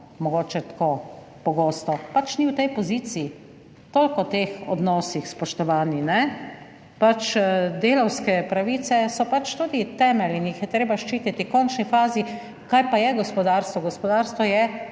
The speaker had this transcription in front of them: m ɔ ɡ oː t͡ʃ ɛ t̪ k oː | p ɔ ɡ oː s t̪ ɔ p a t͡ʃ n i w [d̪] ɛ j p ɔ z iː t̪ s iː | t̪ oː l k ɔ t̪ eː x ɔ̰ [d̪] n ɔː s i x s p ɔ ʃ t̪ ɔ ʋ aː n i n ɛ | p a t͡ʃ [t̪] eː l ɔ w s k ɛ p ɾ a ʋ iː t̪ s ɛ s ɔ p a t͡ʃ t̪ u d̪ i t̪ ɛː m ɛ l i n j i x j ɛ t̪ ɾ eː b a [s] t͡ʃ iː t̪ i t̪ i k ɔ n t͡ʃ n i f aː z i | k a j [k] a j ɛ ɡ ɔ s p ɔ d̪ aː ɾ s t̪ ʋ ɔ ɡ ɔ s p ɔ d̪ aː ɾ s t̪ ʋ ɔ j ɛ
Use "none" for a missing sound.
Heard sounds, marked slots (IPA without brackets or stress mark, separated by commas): t̪, d̪, d̪, ʃ, p